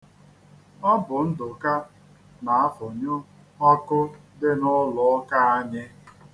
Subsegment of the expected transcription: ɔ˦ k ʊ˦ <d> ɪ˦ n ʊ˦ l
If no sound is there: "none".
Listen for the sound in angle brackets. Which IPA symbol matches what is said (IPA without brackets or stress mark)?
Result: d